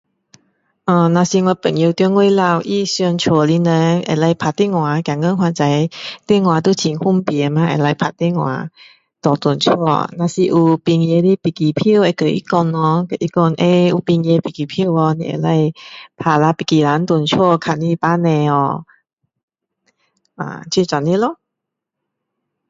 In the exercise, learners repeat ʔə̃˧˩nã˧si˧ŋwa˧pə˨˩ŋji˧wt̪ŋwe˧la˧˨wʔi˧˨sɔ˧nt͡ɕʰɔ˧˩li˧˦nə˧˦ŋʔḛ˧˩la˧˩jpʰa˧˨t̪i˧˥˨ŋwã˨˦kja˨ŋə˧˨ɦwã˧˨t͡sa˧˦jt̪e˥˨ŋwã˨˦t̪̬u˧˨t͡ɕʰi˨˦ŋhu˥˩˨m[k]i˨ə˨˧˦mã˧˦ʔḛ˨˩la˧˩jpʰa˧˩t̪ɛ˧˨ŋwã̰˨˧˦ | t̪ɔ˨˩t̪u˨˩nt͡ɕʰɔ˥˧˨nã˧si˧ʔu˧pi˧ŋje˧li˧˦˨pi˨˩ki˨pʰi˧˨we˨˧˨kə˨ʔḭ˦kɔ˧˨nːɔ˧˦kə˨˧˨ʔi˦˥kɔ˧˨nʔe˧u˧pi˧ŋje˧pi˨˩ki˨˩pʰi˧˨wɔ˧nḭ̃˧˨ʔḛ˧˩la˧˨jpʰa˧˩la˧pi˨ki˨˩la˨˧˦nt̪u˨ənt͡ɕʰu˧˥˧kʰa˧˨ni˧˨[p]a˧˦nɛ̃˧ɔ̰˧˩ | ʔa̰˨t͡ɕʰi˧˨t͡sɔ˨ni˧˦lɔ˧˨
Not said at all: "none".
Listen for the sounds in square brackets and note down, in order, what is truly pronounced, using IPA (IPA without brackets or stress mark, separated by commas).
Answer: p, p